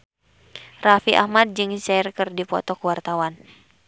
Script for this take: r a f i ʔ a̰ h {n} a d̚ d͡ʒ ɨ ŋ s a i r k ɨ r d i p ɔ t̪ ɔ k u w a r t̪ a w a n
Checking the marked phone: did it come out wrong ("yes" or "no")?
yes